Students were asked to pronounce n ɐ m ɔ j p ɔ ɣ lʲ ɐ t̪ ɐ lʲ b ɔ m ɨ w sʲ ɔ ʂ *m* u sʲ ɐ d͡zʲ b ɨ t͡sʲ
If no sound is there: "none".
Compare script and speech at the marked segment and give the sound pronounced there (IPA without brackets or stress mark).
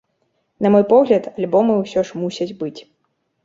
m